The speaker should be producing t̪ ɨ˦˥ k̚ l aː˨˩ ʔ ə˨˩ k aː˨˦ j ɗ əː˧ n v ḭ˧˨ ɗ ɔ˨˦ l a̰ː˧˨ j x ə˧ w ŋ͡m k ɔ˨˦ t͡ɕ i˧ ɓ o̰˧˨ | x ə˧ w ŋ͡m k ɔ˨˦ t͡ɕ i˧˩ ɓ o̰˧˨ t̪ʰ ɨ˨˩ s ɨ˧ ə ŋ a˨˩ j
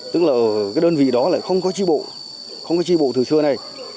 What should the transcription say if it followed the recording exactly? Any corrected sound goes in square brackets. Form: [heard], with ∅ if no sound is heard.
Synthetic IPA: t̪ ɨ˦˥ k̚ l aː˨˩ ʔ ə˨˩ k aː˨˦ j ɗ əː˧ n v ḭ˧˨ ɗ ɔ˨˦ l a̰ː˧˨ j x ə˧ w ŋ͡m k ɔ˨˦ t͡ɕ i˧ ɓ o̰˧˨ | x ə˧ w ŋ͡m k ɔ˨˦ t͡ɕ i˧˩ ɓ o̰˧˨ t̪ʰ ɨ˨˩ s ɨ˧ ə [n] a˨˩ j